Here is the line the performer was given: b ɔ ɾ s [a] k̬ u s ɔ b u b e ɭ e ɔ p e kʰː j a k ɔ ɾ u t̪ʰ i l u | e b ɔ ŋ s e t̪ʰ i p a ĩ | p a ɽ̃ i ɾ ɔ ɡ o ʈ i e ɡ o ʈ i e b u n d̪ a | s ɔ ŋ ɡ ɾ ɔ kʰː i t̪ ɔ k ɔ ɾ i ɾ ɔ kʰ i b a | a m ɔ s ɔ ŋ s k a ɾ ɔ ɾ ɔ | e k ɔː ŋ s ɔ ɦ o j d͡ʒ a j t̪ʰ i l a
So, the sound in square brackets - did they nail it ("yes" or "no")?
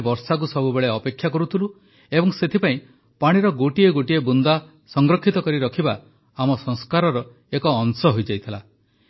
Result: yes